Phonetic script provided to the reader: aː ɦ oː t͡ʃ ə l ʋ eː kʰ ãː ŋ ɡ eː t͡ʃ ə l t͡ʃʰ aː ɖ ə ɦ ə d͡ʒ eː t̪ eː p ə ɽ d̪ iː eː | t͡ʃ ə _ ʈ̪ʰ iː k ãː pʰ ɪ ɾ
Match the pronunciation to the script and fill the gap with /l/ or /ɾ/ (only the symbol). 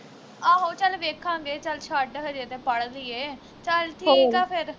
l